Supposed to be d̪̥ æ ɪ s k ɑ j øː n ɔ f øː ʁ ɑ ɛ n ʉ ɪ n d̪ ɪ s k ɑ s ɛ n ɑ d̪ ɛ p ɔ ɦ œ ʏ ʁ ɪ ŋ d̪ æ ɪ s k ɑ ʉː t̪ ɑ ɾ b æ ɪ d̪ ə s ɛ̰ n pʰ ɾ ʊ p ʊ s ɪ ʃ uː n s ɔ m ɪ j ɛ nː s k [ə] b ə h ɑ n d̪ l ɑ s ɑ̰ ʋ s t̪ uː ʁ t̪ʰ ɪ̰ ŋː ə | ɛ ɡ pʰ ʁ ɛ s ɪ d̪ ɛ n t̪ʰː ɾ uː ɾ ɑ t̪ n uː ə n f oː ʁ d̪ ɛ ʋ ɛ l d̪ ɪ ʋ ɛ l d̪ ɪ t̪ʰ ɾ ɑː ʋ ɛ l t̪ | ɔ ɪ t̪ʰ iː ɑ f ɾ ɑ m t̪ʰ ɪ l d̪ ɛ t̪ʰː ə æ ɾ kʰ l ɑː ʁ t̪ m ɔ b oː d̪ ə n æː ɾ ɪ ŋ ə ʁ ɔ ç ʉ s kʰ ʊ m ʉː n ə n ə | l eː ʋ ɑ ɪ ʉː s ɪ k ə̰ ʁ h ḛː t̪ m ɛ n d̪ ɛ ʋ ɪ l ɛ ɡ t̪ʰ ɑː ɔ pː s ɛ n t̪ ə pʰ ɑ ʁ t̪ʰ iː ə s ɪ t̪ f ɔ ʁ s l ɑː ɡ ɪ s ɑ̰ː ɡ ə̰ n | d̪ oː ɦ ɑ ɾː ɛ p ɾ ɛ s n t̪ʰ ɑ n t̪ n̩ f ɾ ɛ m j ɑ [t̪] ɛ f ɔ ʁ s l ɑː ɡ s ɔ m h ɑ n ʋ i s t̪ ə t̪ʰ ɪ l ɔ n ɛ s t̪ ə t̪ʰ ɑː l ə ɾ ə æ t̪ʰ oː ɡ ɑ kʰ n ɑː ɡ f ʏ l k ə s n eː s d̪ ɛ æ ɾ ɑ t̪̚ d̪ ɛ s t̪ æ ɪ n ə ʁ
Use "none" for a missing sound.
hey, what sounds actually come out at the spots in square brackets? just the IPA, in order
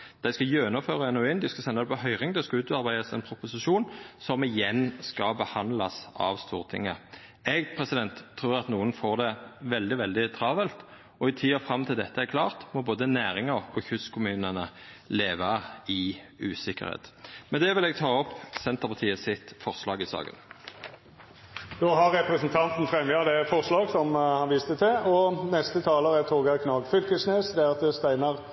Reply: ɑ, d̪

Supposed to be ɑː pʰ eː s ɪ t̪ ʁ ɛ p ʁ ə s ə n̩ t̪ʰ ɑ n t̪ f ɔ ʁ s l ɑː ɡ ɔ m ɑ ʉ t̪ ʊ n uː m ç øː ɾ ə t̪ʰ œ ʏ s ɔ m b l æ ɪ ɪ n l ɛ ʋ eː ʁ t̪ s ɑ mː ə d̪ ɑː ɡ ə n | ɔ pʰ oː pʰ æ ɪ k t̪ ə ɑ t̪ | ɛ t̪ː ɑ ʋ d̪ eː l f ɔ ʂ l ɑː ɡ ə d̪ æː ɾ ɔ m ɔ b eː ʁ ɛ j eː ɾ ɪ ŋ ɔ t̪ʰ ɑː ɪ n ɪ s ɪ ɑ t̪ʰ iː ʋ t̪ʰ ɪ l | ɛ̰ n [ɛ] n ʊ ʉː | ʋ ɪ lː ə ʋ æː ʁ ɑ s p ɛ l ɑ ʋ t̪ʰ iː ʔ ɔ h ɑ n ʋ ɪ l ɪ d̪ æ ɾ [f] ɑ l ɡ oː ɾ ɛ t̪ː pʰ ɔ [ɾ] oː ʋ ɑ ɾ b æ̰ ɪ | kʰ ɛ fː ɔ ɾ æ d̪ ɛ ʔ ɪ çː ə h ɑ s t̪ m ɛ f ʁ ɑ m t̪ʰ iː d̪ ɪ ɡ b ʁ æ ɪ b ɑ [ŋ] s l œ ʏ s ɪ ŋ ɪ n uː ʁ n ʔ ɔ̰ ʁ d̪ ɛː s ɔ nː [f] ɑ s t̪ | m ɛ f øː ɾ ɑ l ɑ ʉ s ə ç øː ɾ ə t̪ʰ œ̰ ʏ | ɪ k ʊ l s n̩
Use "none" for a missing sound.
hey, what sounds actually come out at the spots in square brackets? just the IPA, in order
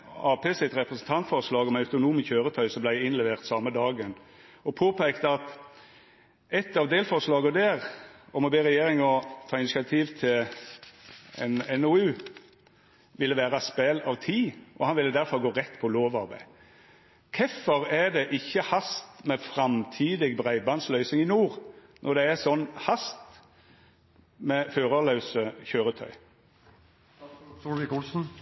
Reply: ɛ, f, l, n, h

